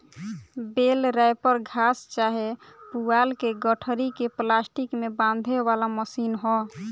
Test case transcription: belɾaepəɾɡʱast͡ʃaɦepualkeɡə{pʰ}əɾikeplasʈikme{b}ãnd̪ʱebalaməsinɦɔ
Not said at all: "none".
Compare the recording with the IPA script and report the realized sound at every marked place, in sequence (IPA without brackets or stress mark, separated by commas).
ʈʰ, b